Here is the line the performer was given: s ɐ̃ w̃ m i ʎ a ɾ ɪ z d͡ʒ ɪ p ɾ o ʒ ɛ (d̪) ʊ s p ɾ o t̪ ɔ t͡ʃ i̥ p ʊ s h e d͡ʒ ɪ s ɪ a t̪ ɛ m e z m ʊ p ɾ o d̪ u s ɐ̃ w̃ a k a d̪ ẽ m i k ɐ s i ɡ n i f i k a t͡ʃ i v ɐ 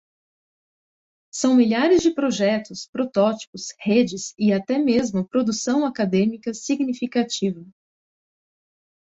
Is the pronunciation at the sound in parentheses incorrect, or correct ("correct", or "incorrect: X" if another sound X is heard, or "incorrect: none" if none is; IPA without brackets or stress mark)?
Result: incorrect: t̪